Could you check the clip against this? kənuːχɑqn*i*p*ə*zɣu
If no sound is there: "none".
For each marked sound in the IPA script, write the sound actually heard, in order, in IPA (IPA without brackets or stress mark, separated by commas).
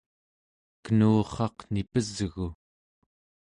i, ə